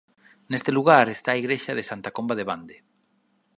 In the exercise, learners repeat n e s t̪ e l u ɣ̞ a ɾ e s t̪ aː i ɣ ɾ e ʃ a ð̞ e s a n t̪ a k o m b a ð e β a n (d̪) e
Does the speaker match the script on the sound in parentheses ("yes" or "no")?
yes